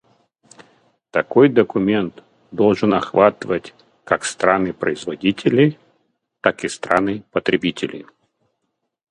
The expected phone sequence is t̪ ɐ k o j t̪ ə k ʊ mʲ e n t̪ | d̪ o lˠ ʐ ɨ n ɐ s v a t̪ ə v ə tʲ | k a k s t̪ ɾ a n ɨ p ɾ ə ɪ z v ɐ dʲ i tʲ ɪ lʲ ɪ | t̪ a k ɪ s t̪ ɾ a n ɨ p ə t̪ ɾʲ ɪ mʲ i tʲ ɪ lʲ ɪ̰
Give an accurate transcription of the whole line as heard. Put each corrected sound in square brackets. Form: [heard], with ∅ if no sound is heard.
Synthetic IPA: t̪ ɐ k o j [d̪] ə k ʊ mʲ e n t̪ | d̪ o lˠ ʐ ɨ n ɐ [x] v a t̪ ə v ə tʲ | k a k s t̪ ɾ a n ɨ p ɾ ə ɪ z v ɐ dʲ i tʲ ɪ lʲ ɪ | t̪ a k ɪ s t̪ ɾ a n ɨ p ə t̪ ɾʲ ɪ [bʲ] i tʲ ɪ lʲ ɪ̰